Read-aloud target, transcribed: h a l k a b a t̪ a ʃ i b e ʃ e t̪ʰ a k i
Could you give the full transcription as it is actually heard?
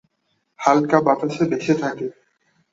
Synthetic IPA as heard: h a l k a b a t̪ a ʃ e b e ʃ e t̪ʰ a k e